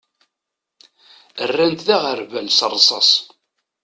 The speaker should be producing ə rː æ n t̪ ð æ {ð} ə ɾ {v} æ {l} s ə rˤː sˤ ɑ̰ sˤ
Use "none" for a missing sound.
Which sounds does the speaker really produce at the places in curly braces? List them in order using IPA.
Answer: ʁ, v, l

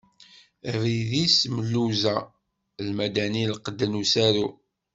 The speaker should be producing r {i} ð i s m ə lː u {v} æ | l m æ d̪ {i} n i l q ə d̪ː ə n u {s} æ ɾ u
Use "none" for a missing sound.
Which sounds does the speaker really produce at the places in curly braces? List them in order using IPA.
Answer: i, z, æ, s

